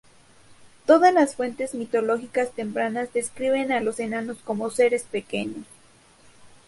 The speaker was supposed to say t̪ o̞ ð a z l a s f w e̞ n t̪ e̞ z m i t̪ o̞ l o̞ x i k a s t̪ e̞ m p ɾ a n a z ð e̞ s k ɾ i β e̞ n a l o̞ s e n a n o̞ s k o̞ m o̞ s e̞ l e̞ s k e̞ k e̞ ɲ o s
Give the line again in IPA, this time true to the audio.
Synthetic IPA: t̪ o̞ ð a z l a s f w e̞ n t̪ e̞ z m i t̪ o̞ l o̞ x i k a s t̪ e̞ m p ɾ a n a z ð e̞ s k ɾ i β e̞ n a l o̞ s e n a n o̞ s k o̞ m o̞ s e̞ ɾ e̞ s p e̞ k e̞ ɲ o s